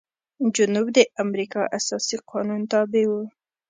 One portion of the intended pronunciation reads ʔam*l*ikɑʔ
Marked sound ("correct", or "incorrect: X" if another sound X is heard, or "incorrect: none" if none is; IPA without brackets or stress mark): incorrect: ɾ